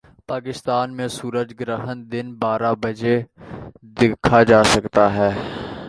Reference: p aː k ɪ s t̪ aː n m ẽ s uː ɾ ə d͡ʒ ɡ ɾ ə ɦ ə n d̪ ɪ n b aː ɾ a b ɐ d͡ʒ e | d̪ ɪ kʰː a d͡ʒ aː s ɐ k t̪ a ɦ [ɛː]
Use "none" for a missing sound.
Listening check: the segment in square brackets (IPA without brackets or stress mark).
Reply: ɛː